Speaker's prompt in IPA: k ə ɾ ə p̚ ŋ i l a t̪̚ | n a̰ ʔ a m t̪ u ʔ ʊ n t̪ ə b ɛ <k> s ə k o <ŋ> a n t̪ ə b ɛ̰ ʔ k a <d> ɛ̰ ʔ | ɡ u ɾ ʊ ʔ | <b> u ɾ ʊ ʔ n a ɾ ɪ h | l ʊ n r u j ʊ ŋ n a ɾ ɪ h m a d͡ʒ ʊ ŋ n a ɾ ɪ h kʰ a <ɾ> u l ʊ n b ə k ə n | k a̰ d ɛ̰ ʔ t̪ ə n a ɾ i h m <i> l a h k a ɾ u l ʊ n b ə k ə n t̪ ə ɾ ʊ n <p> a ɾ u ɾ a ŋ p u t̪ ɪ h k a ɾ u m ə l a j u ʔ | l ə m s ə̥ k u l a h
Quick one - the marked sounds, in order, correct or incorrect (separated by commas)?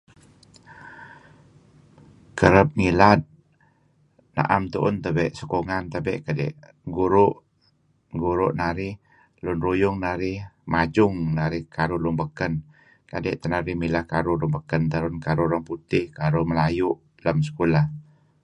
incorrect, correct, correct, incorrect, correct, correct, incorrect